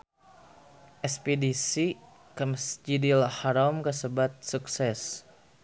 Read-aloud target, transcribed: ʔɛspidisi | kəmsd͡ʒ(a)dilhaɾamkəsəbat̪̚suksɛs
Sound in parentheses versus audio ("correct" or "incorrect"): incorrect